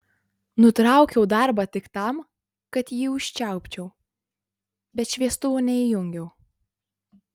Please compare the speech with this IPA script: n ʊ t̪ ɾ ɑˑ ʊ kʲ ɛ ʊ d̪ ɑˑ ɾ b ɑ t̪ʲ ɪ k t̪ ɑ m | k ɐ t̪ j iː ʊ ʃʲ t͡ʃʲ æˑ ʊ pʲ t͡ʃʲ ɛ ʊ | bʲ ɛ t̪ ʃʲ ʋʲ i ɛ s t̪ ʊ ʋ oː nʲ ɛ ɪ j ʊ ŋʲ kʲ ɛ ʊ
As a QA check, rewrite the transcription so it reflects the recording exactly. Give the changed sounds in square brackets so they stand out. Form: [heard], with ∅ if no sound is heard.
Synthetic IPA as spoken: n ʊ t̪ ɾ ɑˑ ʊ kʲ ɛ ʊ d̪ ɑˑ ɾ b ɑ t̪ʲ ɪ k t̪ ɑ m | k ɐ t̪ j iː ʊ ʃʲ t͡ʃʲ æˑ ʊ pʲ t͡ʃʲ ɛ ʊ | bʲ ɛ t̪ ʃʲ ʋʲ i ɛ s t̪ ʊ ʋ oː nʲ ɛ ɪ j ʊ ŋʲ [ɡʲ] ɛ ʊ